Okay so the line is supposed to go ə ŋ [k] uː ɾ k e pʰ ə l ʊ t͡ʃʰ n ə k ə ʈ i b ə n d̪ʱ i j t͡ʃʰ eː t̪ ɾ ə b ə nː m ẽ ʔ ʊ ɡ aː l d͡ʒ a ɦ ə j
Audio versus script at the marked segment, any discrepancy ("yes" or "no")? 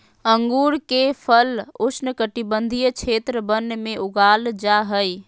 yes